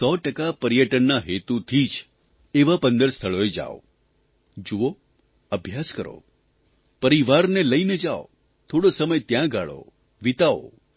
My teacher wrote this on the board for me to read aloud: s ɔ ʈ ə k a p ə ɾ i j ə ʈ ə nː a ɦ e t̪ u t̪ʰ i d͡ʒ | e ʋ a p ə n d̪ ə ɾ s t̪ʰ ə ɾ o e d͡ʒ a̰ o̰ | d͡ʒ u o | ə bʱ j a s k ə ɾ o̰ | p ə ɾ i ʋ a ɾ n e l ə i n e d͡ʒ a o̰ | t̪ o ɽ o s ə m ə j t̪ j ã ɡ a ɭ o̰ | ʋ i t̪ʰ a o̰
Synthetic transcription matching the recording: s ɔ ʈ ə k a p ə ɾ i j ə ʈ ə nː a ɦ e t̪ u t̪ʰ i d͡ʒ | e ʋ a p ə n d̪ ə ɾ s t̪ʰ ə ɭ o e d͡ʒ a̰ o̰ | d͡ʒ u o | ə bʱ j a s k ə ɾ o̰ | p ə ɾ i ʋ a ɾ n e l ə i n e d͡ʒ a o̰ | t̪ʰ o ɽ o s ə m ə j t̪ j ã ɡ a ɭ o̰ | ʋ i t̪ a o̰